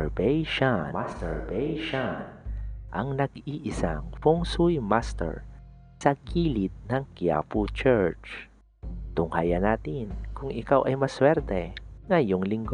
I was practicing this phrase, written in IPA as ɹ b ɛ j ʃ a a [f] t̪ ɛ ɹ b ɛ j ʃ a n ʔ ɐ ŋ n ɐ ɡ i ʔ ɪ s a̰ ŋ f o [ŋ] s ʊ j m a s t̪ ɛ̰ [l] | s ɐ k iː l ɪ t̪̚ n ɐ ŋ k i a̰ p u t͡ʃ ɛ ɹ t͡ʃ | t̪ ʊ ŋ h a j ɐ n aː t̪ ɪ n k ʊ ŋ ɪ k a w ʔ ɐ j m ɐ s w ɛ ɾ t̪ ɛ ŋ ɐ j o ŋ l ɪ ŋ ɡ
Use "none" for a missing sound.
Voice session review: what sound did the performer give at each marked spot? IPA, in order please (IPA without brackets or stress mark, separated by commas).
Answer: s, ŋ, ɹ